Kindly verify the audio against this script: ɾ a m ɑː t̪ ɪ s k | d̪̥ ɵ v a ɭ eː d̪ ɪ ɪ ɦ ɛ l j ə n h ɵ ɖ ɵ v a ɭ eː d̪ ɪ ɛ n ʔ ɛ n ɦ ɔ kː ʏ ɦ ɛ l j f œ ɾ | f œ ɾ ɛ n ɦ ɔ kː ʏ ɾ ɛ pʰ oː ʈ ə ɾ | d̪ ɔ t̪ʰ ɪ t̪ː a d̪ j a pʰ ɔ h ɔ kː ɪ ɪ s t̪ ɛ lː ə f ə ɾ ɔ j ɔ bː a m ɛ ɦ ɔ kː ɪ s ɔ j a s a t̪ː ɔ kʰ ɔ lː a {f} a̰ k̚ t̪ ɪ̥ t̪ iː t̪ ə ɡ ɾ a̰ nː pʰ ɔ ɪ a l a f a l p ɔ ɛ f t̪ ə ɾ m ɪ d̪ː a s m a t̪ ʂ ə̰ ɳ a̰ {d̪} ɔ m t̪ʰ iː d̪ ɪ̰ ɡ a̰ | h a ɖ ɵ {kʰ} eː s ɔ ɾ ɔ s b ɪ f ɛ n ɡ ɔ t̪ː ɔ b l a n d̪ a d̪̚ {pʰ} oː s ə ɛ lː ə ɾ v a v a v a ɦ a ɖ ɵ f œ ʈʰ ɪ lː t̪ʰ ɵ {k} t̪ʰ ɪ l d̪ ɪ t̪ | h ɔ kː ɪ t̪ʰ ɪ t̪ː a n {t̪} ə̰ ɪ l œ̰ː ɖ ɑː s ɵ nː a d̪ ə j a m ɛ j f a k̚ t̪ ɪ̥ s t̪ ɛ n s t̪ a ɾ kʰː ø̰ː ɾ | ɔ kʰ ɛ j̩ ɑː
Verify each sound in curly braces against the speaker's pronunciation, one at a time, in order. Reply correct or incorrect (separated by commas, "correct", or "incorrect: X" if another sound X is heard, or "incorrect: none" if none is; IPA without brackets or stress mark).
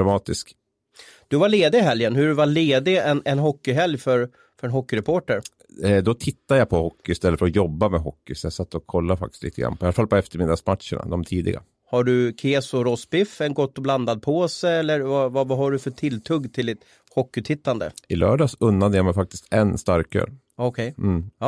correct, correct, correct, correct, incorrect: ɡ, incorrect: d̪